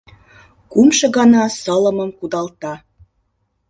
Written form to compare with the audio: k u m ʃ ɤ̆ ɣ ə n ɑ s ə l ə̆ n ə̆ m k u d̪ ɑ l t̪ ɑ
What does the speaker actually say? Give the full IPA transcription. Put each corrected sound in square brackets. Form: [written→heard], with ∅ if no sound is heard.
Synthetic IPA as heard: k u m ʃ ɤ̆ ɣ [ə→ɑ] n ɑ s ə l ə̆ [n→m] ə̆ m k u d̪ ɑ l t̪ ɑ